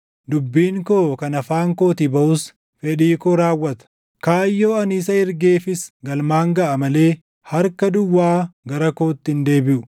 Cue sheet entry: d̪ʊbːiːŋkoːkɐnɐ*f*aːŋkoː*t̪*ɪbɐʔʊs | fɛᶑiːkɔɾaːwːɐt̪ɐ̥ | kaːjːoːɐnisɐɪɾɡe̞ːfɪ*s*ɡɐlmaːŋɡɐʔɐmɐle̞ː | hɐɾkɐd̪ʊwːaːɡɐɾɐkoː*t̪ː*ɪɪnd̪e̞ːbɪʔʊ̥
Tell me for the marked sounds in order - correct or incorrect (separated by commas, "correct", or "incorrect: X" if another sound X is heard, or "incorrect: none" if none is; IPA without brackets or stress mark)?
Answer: correct, correct, correct, correct